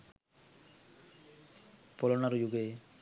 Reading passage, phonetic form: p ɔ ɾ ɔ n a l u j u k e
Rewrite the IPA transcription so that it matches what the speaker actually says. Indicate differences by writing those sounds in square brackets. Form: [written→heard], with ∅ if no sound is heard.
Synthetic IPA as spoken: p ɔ [ɾ→l] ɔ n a [l→ɾ] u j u [k→ɡ] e